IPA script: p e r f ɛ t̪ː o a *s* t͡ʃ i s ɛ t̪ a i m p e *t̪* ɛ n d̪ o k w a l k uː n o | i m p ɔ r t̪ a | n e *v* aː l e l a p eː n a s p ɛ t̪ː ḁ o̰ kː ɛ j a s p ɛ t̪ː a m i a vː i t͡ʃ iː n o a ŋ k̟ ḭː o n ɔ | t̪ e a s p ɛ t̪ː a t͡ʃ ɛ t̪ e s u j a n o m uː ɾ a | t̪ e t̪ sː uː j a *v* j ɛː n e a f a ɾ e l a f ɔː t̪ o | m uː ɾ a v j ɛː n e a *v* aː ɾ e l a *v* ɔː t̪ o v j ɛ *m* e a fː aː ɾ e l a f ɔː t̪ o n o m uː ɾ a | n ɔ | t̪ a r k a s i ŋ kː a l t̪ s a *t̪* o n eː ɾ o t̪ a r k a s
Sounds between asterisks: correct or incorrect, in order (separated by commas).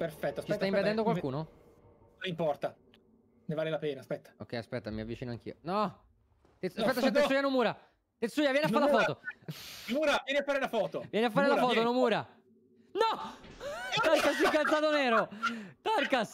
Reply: correct, incorrect, correct, correct, incorrect, incorrect, incorrect, correct